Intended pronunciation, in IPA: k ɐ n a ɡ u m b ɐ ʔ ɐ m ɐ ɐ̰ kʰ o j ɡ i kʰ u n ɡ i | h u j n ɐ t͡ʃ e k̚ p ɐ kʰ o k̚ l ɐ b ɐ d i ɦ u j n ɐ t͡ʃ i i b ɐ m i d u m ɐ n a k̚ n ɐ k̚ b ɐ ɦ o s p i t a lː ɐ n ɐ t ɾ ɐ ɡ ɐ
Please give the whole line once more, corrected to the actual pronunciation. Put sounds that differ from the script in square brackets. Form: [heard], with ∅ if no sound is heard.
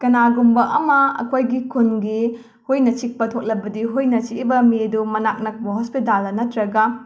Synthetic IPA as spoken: k ɐ n a ɡ u m b ɐ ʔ ɐ m ɐ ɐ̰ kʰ o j ɡ i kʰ u n ɡ i | h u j n ɐ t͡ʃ [i] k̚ p ɐ [tʰ] o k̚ l ɐ b ɐ d i ɦ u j n ɐ t͡ʃ i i b ɐ m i d u m ɐ n a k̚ n ɐ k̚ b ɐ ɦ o s p i t a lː ɐ n ɐ t ɾ ɐ ɡ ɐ